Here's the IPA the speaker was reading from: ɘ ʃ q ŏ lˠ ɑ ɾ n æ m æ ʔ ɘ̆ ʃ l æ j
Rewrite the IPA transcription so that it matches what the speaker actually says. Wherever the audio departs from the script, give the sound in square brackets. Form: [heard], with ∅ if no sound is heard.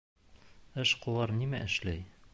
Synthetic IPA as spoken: ɘ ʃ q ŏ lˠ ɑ ɾ n [i] m æ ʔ ɘ̆ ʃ l æ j